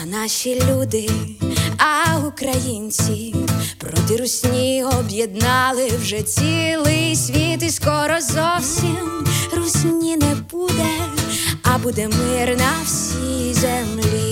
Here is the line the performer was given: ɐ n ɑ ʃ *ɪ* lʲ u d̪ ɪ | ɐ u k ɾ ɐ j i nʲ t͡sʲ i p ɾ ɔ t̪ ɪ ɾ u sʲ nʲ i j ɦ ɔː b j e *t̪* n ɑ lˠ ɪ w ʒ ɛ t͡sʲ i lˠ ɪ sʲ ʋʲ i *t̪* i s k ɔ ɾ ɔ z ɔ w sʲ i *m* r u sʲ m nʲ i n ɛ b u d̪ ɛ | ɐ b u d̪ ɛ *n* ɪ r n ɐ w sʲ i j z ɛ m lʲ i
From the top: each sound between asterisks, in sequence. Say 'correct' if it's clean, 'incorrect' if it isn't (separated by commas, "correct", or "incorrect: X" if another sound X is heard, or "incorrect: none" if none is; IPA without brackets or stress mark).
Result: incorrect: i, incorrect: d̪, correct, correct, incorrect: m